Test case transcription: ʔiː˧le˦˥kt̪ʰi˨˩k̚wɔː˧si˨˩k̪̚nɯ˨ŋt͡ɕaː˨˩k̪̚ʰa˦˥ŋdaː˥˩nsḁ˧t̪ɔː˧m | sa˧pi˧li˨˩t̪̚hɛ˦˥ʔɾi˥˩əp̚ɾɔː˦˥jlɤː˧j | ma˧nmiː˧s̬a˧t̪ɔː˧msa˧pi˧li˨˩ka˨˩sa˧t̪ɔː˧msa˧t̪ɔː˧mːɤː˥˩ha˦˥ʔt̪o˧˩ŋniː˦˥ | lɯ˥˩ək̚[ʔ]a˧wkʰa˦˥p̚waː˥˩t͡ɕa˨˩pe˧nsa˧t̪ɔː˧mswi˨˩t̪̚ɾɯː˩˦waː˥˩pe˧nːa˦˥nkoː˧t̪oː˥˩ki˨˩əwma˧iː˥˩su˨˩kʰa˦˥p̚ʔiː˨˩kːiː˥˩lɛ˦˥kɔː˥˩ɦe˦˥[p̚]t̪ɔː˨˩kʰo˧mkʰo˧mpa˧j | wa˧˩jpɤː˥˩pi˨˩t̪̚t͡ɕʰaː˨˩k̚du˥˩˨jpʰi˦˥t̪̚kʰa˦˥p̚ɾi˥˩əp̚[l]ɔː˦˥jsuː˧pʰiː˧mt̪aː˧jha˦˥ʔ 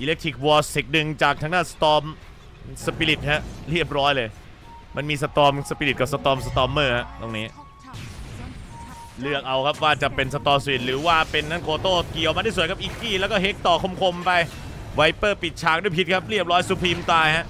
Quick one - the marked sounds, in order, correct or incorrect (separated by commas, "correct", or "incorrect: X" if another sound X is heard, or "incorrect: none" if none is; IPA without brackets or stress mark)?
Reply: correct, incorrect: k̚, incorrect: ɾ